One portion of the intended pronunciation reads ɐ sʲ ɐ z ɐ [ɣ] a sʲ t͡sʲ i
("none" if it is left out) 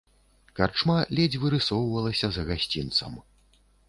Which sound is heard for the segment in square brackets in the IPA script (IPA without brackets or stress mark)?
ɣ